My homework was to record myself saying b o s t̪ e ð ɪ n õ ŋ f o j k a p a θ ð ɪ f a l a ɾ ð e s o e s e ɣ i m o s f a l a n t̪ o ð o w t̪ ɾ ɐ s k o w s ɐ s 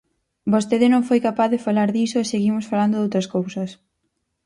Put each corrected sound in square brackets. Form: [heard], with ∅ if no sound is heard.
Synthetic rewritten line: b o s t̪ e ð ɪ n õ ŋ f o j k a p a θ ð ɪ f a l a ɾ ð [i] s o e s e ɣ i m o s f a l a n [d̪] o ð o w t̪ ɾ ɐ s k o w s ɐ s